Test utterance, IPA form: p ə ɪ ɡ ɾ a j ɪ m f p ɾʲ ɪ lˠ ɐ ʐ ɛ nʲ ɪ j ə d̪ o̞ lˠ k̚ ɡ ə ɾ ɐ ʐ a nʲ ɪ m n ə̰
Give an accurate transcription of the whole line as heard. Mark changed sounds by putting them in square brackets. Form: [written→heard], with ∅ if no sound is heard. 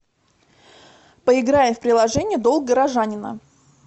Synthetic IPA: p ə ɪ ɡ ɾ a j ɪ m f p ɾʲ ɪ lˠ ɐ ʐ ɛ nʲ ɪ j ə d̪ o̞ lˠ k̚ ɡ ə ɾ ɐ ʐ a nʲ ɪ [m→∅] n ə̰